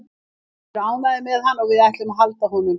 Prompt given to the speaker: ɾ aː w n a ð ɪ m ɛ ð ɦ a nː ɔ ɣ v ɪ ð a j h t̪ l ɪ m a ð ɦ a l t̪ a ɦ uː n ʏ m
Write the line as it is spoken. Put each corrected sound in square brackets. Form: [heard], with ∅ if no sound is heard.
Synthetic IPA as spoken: ɾ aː w n a ð ɪ m ɛ ð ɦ a nː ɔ ɣ v ɪ ð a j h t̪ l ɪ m a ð ɦ a l t̪ a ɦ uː n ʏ m